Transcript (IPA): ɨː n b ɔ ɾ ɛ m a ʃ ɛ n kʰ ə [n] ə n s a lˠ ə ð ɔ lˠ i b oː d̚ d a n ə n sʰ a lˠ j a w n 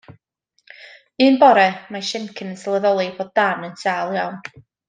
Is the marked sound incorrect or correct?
correct